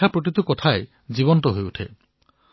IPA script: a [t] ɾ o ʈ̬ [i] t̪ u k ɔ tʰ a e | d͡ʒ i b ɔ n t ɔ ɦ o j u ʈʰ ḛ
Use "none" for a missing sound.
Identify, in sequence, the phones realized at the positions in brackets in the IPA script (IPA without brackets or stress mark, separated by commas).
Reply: p, i